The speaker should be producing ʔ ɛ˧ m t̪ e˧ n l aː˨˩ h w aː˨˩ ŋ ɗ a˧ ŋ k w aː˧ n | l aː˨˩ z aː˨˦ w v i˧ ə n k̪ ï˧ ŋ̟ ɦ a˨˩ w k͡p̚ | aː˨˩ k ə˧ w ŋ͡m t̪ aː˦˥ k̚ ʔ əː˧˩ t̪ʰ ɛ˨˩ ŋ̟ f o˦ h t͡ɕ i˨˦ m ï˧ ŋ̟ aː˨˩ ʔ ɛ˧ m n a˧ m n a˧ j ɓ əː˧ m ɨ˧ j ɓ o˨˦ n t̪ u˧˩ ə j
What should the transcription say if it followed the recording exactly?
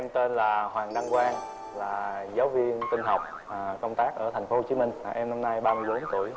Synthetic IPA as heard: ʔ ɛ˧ m t̪ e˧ n l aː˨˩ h w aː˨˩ ŋ ɗ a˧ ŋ k w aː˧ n | l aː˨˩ z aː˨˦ w v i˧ ə n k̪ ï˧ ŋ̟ ɦ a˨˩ w k͡p̚ | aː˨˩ k ə˧ w ŋ͡m t̪ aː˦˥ k̚ ʔ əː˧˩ t̪ʰ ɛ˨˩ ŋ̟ f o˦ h t͡ɕ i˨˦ m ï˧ ŋ̟ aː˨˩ ʔ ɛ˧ m n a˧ m n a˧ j ɓ aː˧ m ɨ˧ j ɓ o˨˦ n t̪ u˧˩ ə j